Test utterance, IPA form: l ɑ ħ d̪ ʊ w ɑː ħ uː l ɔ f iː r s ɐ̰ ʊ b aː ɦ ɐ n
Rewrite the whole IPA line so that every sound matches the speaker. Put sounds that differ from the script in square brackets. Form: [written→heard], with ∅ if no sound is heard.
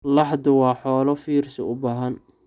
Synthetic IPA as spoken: l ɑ ħ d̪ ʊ w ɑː ħ [uː→ɔː] l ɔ f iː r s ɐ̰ ʊ b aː ɦ ɐ n